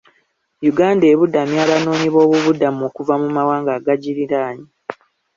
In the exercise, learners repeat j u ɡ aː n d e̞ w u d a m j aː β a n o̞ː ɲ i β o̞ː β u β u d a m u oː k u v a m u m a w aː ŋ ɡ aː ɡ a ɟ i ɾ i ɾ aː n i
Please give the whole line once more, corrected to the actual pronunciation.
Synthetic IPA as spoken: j u ɡ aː n d e̞ β u d a m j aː β a n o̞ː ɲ i β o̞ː β u β u d a m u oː k u v a m u m a w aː ŋ ɡ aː ɡ a ɟ i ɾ i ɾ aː ɲ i